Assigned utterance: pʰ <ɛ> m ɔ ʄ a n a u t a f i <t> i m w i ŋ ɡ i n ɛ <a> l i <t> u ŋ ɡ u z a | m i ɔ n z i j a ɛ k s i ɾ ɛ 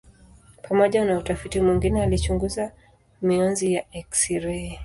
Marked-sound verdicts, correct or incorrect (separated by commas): incorrect, correct, correct, incorrect